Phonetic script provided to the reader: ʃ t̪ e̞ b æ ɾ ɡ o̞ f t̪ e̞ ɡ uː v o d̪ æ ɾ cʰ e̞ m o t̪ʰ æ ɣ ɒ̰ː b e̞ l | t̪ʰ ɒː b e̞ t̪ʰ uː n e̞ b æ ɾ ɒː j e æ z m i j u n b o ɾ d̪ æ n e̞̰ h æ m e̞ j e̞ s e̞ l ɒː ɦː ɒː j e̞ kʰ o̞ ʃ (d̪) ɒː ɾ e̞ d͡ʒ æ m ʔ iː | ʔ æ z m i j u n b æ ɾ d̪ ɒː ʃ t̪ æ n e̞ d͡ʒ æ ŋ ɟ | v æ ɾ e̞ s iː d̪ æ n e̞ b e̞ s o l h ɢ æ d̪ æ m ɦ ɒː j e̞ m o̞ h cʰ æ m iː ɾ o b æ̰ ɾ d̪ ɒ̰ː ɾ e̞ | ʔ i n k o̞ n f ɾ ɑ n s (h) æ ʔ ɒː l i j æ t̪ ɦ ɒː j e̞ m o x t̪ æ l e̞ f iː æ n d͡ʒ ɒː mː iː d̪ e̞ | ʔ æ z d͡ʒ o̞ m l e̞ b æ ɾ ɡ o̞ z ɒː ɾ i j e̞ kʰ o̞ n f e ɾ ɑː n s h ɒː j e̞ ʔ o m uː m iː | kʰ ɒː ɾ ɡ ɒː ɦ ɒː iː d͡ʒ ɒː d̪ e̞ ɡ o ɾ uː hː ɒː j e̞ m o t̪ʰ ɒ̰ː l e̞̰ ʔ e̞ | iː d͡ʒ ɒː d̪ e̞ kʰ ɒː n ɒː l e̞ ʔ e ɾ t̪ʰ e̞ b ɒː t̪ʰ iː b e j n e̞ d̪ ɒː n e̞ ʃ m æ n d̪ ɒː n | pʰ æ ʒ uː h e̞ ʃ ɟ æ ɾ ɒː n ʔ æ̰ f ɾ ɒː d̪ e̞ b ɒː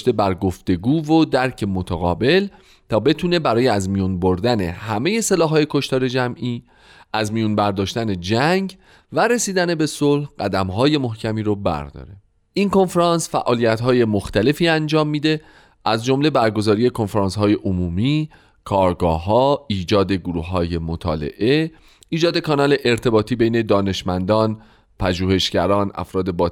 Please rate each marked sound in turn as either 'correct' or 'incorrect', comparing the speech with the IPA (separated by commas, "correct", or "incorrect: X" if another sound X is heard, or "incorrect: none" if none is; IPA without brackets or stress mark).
incorrect: t̪, incorrect: f